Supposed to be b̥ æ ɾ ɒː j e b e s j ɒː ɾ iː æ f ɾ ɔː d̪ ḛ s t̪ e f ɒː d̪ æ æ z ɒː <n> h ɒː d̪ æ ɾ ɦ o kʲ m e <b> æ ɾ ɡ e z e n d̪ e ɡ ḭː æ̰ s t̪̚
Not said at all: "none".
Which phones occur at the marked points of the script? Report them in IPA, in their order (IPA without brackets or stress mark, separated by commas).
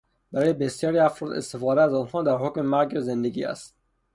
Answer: n, m